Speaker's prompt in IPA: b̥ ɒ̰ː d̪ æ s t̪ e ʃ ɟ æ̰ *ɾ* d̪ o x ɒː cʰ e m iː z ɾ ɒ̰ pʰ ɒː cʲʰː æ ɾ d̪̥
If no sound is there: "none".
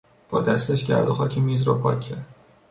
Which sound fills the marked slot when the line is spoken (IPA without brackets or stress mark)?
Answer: ɾ